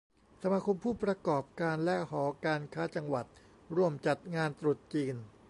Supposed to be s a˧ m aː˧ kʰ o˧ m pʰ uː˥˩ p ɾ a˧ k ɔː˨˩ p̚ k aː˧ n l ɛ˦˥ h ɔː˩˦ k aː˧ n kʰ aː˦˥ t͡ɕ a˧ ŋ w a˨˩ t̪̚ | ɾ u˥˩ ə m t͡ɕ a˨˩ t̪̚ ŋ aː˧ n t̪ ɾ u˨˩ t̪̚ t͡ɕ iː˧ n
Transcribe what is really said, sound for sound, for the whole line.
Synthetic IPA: s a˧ m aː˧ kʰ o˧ m pʰ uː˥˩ p ɾ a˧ k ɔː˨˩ p̚ k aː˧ n l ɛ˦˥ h ɔː˩˦ k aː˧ n kʰ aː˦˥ t͡ɕ a˧ ŋ w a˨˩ t̪̚ | ɾ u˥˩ ə m t͡ɕ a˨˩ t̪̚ ŋ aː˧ n t̪ ɾ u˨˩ t̪̚ t͡ɕ iː˧ n

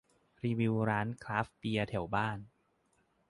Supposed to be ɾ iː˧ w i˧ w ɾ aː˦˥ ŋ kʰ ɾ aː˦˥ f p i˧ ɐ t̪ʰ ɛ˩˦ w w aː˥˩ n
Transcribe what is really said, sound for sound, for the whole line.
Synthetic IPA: ɾ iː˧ w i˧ w ɾ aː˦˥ n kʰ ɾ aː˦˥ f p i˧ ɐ t̪ʰ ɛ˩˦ w b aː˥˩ n

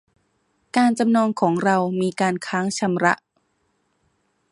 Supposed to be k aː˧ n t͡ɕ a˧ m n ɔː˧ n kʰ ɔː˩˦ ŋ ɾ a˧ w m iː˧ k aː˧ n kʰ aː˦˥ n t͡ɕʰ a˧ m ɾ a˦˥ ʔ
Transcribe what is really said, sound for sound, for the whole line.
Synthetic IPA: k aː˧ n t͡ɕ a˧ m n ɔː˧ ŋ kʰ ɔː˩˦ ŋ ɾ a˧ w m iː˧ k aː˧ n kʰ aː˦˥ ŋ t͡ɕʰ a˧ m ɾ a˦˥ ʔ

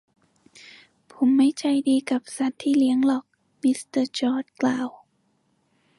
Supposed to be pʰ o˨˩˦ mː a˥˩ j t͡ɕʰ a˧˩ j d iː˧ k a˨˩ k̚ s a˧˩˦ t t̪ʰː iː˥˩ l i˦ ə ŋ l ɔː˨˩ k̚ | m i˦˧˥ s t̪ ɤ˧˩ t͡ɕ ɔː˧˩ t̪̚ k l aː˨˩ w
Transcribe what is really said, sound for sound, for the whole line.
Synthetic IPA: pʰ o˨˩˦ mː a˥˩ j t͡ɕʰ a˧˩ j d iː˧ k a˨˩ p̚ s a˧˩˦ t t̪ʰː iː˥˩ l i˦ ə ŋ l ɔː˨˩ k̚ | m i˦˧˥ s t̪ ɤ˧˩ t͡ɕ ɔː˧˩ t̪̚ k l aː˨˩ w

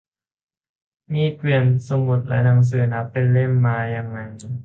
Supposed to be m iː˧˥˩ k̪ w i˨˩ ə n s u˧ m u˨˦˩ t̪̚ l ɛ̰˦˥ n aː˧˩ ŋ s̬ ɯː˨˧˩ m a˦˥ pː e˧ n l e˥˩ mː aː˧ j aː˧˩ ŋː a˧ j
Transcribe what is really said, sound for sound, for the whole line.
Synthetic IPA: m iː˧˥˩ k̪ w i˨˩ ə n s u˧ m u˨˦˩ t̪̚ l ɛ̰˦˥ n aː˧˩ ŋ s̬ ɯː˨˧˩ n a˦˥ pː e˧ n l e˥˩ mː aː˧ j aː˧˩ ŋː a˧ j

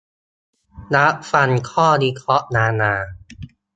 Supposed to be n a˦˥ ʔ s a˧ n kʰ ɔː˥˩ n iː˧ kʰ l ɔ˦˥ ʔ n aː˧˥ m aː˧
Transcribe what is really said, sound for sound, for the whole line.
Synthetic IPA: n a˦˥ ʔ f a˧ n kʰ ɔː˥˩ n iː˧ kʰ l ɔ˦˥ ʔ n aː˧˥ n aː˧

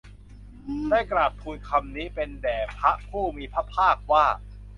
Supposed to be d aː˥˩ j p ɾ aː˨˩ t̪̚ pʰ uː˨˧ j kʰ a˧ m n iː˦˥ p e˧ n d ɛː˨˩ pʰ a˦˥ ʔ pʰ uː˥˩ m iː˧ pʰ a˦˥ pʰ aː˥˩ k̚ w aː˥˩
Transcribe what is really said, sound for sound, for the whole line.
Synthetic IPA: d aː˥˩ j k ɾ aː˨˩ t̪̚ pʰ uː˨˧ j kʰ a˧ m n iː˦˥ p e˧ n d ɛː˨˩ pʰ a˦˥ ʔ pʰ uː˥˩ m iː˧ pʰ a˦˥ pʰ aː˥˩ k̚ w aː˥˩

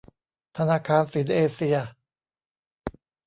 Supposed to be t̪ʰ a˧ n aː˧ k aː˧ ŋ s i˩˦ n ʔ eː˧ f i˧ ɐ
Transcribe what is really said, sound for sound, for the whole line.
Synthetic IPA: t̪ʰ a˧ n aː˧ kʰ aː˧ n s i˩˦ n ʔ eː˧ s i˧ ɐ

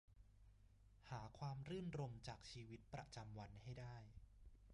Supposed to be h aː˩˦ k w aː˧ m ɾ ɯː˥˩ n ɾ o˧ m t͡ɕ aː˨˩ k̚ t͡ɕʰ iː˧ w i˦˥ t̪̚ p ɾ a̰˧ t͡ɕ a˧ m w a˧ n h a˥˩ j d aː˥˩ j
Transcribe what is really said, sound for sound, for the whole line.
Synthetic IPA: h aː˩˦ kʰ w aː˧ m ɾ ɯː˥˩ n ɾ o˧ m t͡ɕ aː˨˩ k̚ t͡ɕʰ iː˧ w i˦˥ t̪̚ p ɾ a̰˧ t͡ɕ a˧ m w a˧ n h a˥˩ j d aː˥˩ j

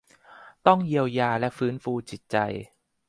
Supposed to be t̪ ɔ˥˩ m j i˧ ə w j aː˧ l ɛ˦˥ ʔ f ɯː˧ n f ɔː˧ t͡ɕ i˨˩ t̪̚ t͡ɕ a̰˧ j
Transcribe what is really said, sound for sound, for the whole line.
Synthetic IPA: t̪ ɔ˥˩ ŋ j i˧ ə w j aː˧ l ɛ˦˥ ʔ f ɯː˦˥ n f uː˧ t͡ɕ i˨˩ t̪̚ t͡ɕ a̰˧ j

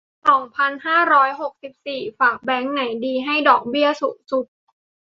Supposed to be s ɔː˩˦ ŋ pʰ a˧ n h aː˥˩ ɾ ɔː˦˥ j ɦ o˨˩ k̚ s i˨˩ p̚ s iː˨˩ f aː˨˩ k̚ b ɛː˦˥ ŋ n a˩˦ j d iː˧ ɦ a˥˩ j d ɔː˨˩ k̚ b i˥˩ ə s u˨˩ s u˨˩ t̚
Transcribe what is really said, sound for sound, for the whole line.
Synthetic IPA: s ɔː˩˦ ŋ pʰ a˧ n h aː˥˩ ɾ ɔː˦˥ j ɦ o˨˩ k̚ s i˨˩ p̚ s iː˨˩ f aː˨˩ k̚ b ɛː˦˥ ŋ n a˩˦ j d iː˧ ɦ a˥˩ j d ɔː˨˩ k̚ b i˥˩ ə s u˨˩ s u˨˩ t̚

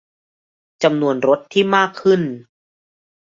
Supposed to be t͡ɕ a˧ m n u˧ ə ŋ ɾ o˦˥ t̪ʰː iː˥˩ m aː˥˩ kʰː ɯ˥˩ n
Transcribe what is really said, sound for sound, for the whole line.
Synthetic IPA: t͡ɕ a˧ m n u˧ ə n ɾ o˦˥ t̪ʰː iː˥˩ m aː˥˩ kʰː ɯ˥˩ n

